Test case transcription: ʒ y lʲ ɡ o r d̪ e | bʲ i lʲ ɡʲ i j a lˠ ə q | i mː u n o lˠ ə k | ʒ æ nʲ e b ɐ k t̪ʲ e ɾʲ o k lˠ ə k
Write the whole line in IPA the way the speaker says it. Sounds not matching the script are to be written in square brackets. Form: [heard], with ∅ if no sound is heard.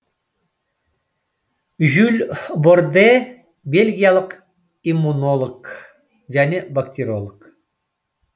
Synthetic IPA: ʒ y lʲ [b] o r d̪ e | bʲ [e] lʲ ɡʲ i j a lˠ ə q | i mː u n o lˠ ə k | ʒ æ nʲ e b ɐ k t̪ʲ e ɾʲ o [∅] lˠ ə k

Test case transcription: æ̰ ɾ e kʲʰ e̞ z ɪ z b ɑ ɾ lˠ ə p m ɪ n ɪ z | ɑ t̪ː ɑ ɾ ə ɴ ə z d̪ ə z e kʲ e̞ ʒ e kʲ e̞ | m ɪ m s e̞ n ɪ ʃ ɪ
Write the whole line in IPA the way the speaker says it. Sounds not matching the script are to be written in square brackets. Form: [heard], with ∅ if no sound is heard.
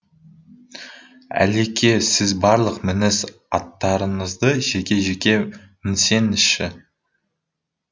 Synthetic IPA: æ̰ [l] e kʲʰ e̞ [s] ɪ z b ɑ ɾ lˠ ə [q] m ɪ n ɪ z | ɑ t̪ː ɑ ɾ ə ɴ ə z d̪ ə [ʒ] e kʲ e̞ ʒ e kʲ e̞ | m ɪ [n] s e̞ n ɪ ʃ ɪ

